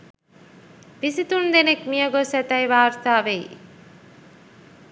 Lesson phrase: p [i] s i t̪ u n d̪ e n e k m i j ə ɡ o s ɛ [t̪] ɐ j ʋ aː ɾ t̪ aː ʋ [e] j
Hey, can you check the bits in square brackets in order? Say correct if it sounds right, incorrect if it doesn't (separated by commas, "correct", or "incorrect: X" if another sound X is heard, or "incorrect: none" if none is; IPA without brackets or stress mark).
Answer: correct, correct, correct